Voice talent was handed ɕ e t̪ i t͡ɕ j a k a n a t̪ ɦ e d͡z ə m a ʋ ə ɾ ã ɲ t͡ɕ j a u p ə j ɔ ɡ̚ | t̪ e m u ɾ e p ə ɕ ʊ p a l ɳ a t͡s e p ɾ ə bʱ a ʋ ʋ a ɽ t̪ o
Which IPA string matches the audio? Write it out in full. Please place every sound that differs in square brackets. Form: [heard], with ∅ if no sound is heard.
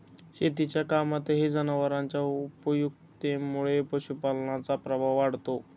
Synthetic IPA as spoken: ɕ e t̪ i t͡ɕ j a k a [m] a t̪ ɦ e d͡z ə [n] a ʋ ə ɾ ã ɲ t͡ɕ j a u p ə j [u] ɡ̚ | t̪ e m u [ɭ] e p ə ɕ [u] p a l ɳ a t͡s [a] p ɾ ə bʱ a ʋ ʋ a ɽ t̪ o